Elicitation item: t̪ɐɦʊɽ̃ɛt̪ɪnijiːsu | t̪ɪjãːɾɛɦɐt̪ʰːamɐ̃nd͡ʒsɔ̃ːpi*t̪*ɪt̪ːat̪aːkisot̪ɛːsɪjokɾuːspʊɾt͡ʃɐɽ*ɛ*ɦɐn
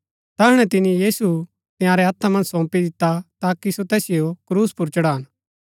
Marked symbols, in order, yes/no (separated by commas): no, no